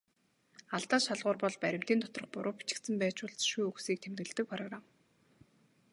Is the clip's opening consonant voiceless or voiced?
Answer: voiced